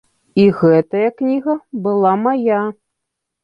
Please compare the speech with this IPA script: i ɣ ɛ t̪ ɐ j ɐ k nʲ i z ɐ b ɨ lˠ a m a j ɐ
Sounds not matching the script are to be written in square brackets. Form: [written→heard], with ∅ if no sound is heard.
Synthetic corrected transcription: i ɣ ɛ t̪ ɐ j ɐ k nʲ i [z→ɣ] ɐ b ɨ lˠ a m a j [ɐ→a]

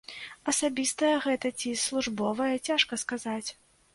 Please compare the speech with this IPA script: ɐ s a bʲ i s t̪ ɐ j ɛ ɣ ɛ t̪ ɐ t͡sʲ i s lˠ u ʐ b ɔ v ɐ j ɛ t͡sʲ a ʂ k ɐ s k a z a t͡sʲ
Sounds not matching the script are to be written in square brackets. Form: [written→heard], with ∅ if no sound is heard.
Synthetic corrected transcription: ɐ s a bʲ i s t̪ ɐ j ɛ ɣ ɛ t̪ ɐ t͡sʲ i s lˠ u ʐ b ɔ v ɐ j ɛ t͡sʲ a ʂ k ɐ s k a z a t͡sʲ

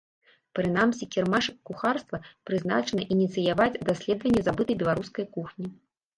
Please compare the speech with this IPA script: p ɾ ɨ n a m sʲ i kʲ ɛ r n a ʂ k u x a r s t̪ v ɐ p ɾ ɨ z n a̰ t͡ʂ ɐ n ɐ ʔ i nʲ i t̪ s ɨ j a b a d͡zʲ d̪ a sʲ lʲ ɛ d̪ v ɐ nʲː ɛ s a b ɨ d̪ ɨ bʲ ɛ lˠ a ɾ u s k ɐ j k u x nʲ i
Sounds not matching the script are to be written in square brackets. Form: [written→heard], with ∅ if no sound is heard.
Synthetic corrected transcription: p ɾ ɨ n a m sʲ i kʲ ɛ r [n→m] a ʂ k u x a r s t̪ v ɐ p ɾ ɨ z n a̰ t͡ʂ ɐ n ɐ ʔ i nʲ i t̪ s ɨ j a [b→v] a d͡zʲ d̪ a sʲ lʲ ɛ d̪ v ɐ nʲː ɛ [s→z] a b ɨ [d̪→t̪] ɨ bʲ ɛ lˠ a ɾ u s k ɐ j k u x nʲ i

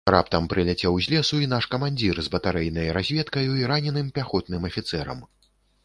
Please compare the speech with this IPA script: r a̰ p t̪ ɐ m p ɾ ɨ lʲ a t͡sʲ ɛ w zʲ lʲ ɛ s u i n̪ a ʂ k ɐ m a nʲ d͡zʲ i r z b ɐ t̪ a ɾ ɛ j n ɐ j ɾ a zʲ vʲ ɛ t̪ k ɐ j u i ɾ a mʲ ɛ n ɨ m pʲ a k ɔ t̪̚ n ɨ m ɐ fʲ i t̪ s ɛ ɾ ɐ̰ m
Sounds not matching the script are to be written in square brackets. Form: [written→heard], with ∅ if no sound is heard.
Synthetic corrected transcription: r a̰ p t̪ ɐ m p ɾ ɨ lʲ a t͡sʲ ɛ w zʲ lʲ ɛ s u i n̪ a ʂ k ɐ m a nʲ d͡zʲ i r z b ɐ t̪ a ɾ ɛ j n ɐ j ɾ a zʲ vʲ ɛ t̪ k ɐ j u i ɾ a [mʲ→nʲ] ɛ n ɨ m pʲ a [k→x] ɔ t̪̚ n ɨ m ɐ fʲ i t̪ s ɛ ɾ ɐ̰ m

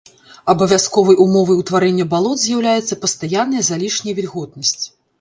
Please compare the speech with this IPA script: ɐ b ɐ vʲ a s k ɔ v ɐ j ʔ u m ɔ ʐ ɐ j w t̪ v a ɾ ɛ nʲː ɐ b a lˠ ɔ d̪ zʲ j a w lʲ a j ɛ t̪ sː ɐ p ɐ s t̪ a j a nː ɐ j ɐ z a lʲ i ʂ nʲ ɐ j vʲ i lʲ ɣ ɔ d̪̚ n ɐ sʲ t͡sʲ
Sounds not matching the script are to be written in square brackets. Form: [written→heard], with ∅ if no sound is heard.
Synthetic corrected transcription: ɐ b ɐ vʲ a s k ɔ v ɐ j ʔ u m ɔ [ʐ→v] ɐ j w t̪ v a ɾ ɛ nʲː ɐ b a lˠ ɔ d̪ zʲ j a w lʲ a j ɛ t̪ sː ɐ p ɐ s t̪ a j a nː ɐ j ɐ z a lʲ i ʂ nʲ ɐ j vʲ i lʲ ɣ ɔ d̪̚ n ɐ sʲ t͡sʲ

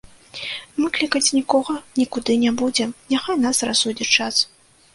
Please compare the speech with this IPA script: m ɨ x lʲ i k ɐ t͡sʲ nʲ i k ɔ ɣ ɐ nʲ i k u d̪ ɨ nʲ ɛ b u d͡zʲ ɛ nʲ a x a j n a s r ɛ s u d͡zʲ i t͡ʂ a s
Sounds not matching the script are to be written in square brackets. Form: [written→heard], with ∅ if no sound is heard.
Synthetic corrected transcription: m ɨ [x→k] lʲ i k ɐ t͡sʲ nʲ i k ɔ ɣ ɐ nʲ i k u d̪ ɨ nʲ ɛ b u d͡zʲ ɛ nʲ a x a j n a s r [ɛ→a] s u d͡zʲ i t͡ʂ a s

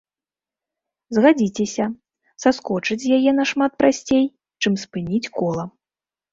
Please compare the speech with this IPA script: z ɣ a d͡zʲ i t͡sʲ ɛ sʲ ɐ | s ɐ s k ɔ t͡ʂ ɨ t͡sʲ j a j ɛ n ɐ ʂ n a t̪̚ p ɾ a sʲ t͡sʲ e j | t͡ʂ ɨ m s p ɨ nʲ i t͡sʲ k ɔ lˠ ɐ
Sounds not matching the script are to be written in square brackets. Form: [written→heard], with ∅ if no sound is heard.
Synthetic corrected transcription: z ɣ a d͡zʲ i t͡sʲ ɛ sʲ ɐ | s [ɐ→a] s k ɔ t͡ʂ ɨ t͡sʲ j a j ɛ n ɐ ʂ [n→m] a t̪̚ p ɾ a sʲ t͡sʲ e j | t͡ʂ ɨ m s p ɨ nʲ i t͡sʲ k ɔ lˠ ɐ

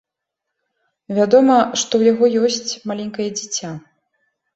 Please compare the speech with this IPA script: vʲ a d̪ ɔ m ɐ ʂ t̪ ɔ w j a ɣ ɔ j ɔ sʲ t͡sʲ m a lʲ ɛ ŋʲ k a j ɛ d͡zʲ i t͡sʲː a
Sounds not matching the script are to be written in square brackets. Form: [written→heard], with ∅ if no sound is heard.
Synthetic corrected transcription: vʲ a d̪ ɔ m ɐ ʂ t̪ ɔ w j a ɣ ɔ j ɔ sʲ t͡sʲ m a lʲ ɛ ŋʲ k [a→ɐ] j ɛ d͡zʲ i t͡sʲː a

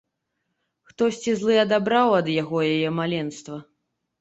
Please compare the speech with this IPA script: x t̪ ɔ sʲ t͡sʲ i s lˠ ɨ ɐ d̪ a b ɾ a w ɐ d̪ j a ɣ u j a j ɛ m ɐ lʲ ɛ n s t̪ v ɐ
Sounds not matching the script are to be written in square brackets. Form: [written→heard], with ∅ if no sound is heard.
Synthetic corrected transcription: x t̪ ɔ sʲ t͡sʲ i [s→z] lˠ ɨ ɐ d̪ a b ɾ a w ɐ d̪ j a ɣ [u→ɔ] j a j ɛ m [ɐ→a] lʲ ɛ n s t̪ v ɐ

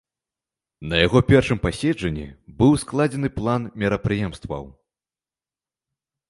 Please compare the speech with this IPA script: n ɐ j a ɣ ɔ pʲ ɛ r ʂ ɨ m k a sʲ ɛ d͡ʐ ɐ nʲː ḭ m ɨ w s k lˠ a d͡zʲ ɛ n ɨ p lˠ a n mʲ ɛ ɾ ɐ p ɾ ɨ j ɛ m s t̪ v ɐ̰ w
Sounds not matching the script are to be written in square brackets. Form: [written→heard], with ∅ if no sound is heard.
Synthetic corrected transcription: n ɐ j a ɣ ɔ pʲ ɛ r ʂ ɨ m [k→p] a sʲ ɛ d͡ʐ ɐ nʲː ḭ [m→b] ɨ w s k lˠ a d͡zʲ ɛ n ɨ p lˠ a n mʲ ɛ ɾ ɐ p ɾ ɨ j ɛ m s t̪ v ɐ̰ w

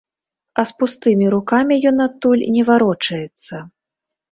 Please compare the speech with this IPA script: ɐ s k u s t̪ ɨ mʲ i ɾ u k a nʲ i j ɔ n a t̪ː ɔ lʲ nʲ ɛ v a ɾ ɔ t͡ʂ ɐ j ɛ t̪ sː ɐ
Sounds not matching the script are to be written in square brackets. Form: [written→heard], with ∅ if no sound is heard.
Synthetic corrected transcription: ɐ s [k→p] u s t̪ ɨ mʲ i ɾ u k a [nʲ→mʲ] i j ɔ n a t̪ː [ɔ→u] lʲ nʲ ɛ v a ɾ ɔ t͡ʂ ɐ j ɛ t̪ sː ɐ

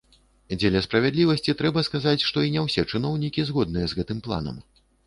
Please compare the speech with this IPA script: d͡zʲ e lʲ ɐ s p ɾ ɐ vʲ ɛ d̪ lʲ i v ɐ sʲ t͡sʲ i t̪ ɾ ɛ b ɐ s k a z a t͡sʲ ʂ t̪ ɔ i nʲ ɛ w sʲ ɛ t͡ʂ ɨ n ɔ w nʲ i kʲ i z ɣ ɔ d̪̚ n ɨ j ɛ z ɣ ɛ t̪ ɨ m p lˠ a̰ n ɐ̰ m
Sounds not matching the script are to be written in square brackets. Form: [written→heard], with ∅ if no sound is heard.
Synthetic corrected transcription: d͡zʲ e lʲ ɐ s p ɾ ɐ vʲ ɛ d̪ lʲ i v ɐ sʲ t͡sʲ i t̪ ɾ ɛ b ɐ s k a z a t͡sʲ ʂ t̪ ɔ i nʲ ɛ w sʲ ɛ t͡ʂ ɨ n ɔ w nʲ i kʲ i z ɣ ɔ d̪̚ n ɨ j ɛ z ɣ ɛ t̪ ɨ m p lˠ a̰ n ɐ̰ m

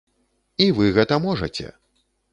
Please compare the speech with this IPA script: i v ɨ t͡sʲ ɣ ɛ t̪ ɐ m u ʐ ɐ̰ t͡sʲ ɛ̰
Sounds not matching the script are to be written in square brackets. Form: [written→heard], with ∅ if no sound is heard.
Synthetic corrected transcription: i v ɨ [t͡sʲ→∅] ɣ ɛ t̪ ɐ m [u→ɔ] ʐ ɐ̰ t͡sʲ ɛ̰

